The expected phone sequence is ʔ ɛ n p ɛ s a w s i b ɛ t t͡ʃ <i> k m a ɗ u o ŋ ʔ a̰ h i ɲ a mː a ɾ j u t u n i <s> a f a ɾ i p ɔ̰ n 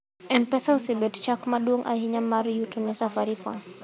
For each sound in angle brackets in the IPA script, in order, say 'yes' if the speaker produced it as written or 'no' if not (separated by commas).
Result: no, yes